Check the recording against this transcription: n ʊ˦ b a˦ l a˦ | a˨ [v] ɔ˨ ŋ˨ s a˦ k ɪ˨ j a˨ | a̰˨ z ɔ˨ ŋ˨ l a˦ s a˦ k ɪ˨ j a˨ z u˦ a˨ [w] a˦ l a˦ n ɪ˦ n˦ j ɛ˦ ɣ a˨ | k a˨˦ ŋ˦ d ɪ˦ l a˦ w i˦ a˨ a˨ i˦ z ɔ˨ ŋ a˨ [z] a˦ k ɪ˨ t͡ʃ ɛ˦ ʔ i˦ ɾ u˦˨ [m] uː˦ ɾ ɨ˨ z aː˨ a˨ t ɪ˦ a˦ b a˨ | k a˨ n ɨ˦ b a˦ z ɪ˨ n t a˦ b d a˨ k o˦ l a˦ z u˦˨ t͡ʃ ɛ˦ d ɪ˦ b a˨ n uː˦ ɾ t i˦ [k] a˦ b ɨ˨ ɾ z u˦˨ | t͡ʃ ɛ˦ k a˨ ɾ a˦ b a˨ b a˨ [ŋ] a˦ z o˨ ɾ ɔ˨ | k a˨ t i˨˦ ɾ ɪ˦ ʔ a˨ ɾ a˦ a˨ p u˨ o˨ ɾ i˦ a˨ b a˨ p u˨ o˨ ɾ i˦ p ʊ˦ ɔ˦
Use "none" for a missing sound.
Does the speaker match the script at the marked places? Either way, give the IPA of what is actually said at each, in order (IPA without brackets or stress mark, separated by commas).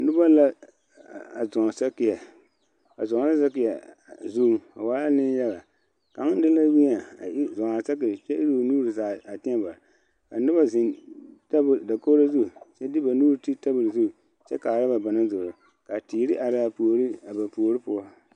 z, w, s, n, t, n